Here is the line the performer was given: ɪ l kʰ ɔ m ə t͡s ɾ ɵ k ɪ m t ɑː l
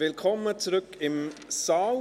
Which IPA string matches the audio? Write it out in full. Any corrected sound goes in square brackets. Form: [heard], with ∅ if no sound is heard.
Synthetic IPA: ɪ l kʰ ɔ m ə t͡s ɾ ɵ k ɪ m [s] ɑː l